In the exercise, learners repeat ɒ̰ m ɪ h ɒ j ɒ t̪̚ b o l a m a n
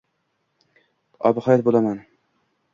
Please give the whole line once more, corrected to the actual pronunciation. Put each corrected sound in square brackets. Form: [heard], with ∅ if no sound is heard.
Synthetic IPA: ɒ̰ [b] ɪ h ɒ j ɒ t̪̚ b o l a m a n

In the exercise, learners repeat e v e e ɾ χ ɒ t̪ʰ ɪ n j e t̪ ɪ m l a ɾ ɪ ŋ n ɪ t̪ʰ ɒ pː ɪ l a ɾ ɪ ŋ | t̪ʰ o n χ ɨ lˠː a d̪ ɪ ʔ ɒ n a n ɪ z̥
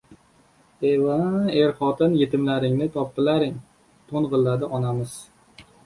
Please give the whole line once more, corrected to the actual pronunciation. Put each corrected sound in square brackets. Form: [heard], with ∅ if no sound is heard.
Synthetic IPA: e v [a] e ɾ χ ɒ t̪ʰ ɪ n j e t̪ ɪ m l a ɾ ɪ ŋ n ɪ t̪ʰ ɒ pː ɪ l a ɾ ɪ ŋ | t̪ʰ o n [ʁ] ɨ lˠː a d̪ ɪ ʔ ɒ n a [m] ɪ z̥

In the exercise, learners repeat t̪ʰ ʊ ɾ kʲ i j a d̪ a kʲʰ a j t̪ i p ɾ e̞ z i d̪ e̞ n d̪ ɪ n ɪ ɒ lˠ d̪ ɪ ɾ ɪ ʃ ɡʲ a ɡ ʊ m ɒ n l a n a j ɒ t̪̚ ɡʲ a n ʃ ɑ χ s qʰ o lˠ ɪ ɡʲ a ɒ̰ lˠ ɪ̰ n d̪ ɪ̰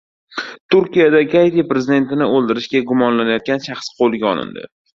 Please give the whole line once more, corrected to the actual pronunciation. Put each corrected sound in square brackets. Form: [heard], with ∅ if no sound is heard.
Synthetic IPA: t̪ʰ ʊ ɾ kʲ i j a d̪ a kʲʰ a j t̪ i p ɾ e̞ z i d̪ e̞ n [t̪] ɪ n ɪ [o] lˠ d̪ ɪ ɾ ɪ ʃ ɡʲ a ɡ ʊ m ɒ n l a n a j ɒ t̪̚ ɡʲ a n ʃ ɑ χ s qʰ o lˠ ɪ ɡʲ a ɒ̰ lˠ ɪ̰ n d̪ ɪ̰

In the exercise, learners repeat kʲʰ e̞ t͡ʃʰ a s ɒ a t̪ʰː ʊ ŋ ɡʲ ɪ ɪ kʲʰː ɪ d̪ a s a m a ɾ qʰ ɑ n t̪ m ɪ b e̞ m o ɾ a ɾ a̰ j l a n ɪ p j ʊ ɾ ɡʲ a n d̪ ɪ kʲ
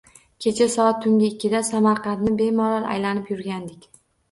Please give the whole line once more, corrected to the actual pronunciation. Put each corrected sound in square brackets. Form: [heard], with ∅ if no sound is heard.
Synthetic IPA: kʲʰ e̞ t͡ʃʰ a s ɒ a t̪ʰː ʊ ŋ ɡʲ ɪ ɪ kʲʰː ɪ d̪ a s a m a ɾ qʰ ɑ n t̪ [n] ɪ b e̞ m [ɒ] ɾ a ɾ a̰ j l a n ɪ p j ʊ ɾ ɡʲ a n d̪ ɪ kʲ

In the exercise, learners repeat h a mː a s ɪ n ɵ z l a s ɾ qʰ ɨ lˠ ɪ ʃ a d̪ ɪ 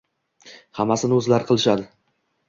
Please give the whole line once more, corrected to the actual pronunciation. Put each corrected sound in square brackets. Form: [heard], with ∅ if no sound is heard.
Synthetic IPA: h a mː a s ɪ n ɵ z l a [∅] ɾ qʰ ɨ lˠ ɪ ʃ a d̪ ɪ

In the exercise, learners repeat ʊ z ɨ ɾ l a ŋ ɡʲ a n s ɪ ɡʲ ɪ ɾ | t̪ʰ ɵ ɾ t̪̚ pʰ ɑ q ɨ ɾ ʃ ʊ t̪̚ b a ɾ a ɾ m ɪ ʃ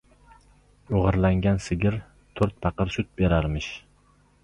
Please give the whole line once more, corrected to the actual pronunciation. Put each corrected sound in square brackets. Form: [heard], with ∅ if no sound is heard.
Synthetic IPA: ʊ [ʁ] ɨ ɾ l a ŋ ɡʲ a n s ɪ ɡʲ ɪ ɾ | t̪ʰ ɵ ɾ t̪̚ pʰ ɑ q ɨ ɾ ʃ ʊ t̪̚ b [e] ɾ a ɾ m ɪ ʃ

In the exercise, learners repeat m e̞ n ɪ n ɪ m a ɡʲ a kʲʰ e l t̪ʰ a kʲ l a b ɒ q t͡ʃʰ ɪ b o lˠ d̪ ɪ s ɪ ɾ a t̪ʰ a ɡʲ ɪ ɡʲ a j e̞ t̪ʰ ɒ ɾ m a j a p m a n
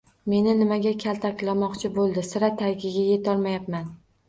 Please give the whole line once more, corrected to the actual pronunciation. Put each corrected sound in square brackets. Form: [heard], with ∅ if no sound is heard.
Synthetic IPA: m e̞ n ɪ n ɪ m a ɡʲ a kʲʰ [a] l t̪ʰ a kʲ l a [m] ɒ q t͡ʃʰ ɪ b o lˠ d̪ ɪ s ɪ ɾ a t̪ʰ a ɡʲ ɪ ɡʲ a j e̞ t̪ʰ ɒ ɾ m a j a p m a n

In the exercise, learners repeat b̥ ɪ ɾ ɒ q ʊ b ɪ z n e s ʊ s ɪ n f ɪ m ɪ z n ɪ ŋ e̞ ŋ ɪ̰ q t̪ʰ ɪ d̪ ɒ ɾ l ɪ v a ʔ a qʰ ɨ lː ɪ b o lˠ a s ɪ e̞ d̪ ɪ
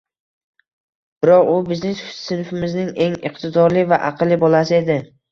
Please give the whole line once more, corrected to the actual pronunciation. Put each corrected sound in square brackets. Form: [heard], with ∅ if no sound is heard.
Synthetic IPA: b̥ ɪ ɾ ɒ q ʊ b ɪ z n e s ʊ s ɪ n f ɪ m ɪ z n ɪ ŋ e̞ ŋ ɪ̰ q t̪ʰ ɪ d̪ ɒ ɾ l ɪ v a ʔ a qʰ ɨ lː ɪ b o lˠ a s ɪ e̞ d̪ ɪ

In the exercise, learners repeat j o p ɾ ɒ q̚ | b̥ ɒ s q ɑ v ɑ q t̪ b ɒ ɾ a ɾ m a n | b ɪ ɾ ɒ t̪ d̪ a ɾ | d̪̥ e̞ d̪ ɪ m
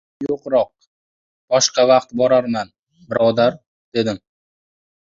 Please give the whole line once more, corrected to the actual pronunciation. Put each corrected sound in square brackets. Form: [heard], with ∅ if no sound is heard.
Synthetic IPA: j o [q] ɾ ɒ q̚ | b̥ ɒ [ʃ] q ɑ v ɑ q t̪ b ɒ ɾ a ɾ m a n | b ɪ ɾ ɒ [∅] d̪ a ɾ | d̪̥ e̞ d̪ ɪ m

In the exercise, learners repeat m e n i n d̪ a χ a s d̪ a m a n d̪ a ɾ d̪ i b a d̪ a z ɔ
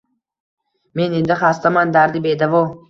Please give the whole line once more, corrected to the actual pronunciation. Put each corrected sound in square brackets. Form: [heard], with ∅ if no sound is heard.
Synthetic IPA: m e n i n d̪ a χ a s [t̪] a m a n d̪ a ɾ d̪ i b [e] d̪ a [v] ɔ

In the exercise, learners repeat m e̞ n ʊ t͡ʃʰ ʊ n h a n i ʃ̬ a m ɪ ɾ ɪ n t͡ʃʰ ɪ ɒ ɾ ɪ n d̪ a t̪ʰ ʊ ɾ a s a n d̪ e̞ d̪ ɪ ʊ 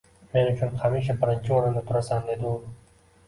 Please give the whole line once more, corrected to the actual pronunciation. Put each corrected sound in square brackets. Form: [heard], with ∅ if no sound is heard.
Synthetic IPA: m e̞ n ʊ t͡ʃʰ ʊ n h a [m] i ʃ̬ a [b] ɪ ɾ ɪ n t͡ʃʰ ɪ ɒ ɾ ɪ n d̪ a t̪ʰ ʊ ɾ a s a n d̪ e̞ d̪ ɪ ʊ

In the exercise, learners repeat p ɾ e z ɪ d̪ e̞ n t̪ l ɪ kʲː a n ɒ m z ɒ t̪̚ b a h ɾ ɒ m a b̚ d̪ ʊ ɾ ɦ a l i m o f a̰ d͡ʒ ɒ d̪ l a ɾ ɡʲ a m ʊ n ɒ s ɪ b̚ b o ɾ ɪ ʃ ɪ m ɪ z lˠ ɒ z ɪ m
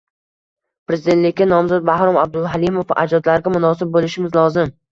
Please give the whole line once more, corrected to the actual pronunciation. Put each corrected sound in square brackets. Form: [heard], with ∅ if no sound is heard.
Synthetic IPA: p ɾ e z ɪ d̪ e̞ n t̪ l ɪ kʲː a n ɒ m z ɒ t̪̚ b a h ɾ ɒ m a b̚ d̪ ʊ [l] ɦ a l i m o f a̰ d͡ʒ ɒ d̪ l a ɾ ɡʲ a m ʊ n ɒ s ɪ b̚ b o [l] ɪ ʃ ɪ m ɪ z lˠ ɒ z ɪ m

